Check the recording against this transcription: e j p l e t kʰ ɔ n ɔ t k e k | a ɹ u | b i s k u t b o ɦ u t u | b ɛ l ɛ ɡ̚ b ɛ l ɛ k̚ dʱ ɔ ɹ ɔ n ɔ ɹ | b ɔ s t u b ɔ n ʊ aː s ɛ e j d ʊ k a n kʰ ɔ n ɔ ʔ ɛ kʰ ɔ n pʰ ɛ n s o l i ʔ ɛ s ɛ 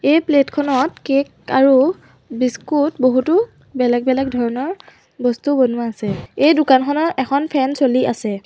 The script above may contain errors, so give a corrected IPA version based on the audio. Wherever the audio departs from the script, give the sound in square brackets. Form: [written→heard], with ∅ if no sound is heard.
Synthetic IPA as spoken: e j p l e t kʰ ɔ n ɔ t k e k | a ɹ u | b i s k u t b o ɦ u t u | b ɛ l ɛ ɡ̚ b ɛ l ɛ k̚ dʱ ɔ ɹ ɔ n ɔ ɹ | b ɔ s t u b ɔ n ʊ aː s ɛ e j d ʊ k a n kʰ ɔ n ɔ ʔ ɛ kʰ ɔ n pʰ ɛ n s o l i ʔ [ɛ→a] s ɛ